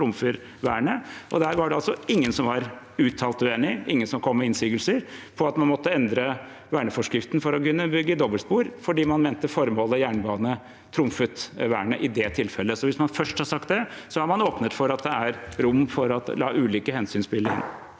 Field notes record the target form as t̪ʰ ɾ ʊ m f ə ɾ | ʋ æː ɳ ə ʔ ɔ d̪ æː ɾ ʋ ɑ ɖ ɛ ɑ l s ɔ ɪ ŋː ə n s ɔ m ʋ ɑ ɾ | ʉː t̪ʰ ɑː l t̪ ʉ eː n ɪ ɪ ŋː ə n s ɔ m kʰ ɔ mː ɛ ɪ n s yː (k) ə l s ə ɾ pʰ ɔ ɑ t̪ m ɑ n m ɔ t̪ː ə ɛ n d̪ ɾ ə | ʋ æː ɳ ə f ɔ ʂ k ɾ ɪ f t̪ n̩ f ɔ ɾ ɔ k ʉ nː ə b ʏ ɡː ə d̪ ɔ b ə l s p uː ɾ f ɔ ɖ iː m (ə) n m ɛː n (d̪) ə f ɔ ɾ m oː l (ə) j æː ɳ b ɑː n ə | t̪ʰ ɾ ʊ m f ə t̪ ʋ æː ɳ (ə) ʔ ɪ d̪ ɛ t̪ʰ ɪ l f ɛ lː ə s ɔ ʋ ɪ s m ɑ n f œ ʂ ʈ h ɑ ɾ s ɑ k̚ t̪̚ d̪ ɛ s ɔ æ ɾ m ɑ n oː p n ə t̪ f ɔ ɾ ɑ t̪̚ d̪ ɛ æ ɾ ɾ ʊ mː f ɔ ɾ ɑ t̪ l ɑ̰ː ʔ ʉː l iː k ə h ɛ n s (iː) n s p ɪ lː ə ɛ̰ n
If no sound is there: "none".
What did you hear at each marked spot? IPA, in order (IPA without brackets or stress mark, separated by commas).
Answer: ɡ, ɑ, t̪, ə, ə, yː